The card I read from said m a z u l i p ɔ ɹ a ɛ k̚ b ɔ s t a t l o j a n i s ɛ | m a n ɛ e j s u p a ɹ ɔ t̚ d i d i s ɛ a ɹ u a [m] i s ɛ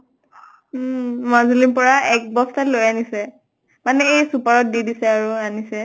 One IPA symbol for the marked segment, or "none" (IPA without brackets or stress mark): n